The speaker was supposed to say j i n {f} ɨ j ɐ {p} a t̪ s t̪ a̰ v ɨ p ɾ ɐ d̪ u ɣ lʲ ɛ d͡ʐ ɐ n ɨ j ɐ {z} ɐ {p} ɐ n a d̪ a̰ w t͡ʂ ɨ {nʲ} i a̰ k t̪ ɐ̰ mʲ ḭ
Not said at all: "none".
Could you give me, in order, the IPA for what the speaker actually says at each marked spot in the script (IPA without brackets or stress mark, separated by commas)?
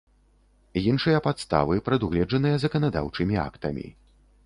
ʂ, p, z, k, mʲ